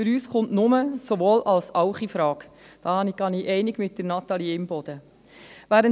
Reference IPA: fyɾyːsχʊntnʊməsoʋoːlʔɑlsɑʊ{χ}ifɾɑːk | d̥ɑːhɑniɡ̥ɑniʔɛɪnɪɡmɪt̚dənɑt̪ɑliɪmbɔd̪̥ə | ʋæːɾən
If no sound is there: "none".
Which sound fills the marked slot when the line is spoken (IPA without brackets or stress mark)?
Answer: χ